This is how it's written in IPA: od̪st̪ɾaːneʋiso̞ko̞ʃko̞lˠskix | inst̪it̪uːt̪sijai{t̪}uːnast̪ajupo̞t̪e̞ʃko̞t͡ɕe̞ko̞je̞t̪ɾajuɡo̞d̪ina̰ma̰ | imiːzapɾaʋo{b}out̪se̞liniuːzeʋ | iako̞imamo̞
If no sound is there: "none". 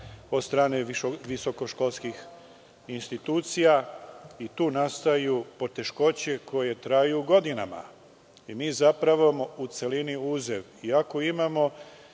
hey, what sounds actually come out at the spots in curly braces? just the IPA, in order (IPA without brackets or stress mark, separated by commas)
t̪, m